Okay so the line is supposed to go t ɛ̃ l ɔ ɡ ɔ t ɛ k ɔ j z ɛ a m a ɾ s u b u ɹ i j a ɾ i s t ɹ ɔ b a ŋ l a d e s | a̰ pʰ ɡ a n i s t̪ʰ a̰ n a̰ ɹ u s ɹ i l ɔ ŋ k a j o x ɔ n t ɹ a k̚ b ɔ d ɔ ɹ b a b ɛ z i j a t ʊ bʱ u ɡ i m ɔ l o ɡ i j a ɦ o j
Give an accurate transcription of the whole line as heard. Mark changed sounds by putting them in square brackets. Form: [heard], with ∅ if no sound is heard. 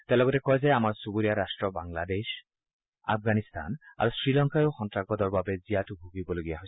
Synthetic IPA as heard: t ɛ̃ l ɔ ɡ ɔ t ɛ k ɔ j z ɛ a m a [ɹ] s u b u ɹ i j a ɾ [a] s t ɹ ɔ b a ŋ l a d e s | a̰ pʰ ɡ a n i s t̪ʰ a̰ n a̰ ɹ u s ɹ i l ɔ ŋ k a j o x ɔ n t ɹ a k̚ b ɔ d ɔ ɹ b a b ɛ z i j a t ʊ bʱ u ɡ i [b] ɔ l o ɡ i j a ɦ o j